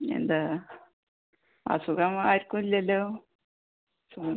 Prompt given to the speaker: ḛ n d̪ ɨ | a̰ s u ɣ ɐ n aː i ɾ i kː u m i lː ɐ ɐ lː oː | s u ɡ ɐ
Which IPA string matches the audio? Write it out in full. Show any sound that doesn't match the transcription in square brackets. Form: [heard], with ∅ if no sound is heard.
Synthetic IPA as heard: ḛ n d̪ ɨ | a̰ s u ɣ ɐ [m] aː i ɾ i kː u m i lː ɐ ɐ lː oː | s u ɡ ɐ